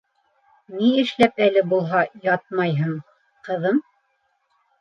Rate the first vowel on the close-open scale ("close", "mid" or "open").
close